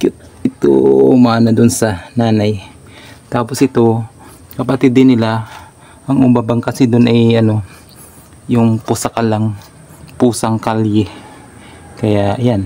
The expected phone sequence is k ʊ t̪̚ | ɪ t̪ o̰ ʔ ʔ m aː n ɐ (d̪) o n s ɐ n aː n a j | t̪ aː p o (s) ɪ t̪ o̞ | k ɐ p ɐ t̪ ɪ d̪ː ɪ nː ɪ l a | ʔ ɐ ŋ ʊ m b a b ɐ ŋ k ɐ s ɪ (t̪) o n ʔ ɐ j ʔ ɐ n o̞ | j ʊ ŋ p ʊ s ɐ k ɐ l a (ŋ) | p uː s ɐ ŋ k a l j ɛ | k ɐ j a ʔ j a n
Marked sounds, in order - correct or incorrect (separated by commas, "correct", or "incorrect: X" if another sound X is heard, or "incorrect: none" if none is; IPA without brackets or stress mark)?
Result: correct, correct, incorrect: d̪, correct